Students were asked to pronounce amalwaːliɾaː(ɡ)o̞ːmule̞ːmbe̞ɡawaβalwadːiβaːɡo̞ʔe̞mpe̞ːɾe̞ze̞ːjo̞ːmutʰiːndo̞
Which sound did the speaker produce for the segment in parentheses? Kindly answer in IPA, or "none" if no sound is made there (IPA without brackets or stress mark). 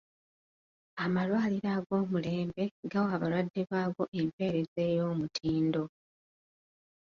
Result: ɡ